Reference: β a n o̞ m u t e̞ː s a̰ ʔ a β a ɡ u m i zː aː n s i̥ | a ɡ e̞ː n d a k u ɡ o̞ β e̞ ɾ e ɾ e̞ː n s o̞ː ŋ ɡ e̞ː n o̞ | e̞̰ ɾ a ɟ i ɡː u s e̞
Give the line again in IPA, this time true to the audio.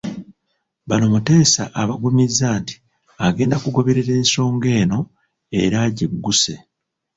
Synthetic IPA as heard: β a n o̞ m u t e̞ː s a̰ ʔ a β a ɡ u m i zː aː n t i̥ | a ɡ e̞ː n d a k u ɡ o̞ β e̞ ɾ e ɾ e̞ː n s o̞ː ŋ ɡ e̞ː n o̞ | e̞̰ ɾ a ɟ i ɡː u s e̞